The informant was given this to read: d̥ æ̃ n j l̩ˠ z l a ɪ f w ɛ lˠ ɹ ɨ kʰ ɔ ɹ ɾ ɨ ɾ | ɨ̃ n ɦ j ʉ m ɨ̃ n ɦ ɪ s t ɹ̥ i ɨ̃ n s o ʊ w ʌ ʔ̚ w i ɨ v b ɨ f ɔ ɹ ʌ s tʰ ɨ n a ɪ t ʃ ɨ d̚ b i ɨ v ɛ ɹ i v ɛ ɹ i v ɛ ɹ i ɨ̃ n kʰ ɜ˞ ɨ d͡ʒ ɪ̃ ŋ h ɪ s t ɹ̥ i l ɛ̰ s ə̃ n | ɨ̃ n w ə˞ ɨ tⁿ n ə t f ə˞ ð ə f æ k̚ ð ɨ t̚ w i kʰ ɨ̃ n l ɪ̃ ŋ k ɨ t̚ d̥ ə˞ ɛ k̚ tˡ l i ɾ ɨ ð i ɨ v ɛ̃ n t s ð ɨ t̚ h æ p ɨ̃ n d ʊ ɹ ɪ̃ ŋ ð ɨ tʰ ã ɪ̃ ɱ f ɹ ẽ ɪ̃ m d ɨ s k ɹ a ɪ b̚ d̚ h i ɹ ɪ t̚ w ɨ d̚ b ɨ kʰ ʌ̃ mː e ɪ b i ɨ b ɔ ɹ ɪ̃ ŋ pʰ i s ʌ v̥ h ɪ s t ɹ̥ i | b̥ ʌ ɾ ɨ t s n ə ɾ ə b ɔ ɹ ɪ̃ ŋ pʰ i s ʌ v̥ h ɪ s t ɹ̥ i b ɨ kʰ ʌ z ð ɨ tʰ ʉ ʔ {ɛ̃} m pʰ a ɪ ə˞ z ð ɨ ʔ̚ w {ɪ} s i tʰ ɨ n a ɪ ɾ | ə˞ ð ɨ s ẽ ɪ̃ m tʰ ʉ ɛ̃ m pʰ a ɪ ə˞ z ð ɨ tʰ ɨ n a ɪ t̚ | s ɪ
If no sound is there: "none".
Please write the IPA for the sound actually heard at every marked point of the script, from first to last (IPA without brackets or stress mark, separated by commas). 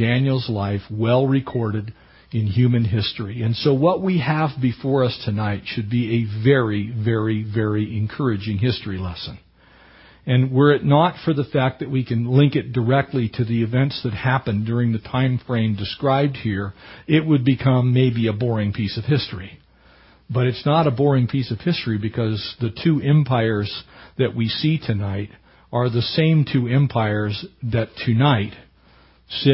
ɛ̃, i